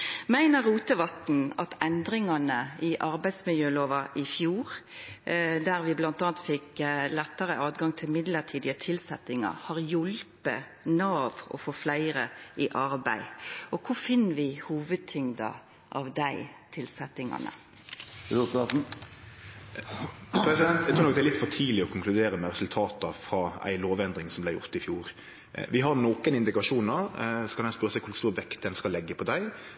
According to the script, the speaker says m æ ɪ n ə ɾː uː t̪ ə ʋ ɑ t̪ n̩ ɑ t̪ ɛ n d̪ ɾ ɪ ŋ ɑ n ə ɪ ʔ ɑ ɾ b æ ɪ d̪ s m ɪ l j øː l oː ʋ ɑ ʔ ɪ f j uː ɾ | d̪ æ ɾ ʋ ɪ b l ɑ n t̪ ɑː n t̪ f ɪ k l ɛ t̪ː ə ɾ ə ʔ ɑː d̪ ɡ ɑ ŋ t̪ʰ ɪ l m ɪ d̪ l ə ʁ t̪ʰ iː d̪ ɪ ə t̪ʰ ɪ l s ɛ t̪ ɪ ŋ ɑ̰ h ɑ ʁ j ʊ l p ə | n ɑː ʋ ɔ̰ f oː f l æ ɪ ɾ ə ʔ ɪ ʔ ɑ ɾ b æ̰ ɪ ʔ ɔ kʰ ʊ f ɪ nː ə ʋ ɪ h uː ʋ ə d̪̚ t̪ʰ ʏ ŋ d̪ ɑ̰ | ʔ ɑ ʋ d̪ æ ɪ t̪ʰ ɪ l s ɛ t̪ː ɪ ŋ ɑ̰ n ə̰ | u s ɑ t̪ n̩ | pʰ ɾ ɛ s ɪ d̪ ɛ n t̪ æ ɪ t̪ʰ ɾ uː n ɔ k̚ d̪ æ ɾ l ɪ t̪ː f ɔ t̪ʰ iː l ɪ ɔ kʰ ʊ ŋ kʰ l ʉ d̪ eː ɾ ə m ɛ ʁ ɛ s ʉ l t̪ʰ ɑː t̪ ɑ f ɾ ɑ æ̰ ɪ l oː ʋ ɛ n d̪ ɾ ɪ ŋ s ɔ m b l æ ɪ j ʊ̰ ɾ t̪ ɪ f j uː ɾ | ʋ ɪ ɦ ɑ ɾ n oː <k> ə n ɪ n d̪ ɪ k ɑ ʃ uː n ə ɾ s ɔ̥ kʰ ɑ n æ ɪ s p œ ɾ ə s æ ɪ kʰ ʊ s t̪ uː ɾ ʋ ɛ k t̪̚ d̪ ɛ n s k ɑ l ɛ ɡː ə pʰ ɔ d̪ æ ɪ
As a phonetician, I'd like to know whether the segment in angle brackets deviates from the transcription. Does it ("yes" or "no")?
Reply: no